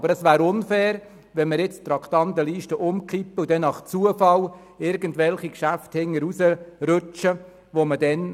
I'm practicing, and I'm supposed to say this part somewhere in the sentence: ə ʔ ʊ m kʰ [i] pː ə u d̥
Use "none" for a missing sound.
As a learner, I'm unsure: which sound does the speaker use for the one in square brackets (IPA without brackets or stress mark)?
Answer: i